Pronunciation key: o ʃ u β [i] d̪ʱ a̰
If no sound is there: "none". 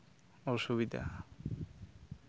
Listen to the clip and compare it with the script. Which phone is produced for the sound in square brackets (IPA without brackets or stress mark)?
i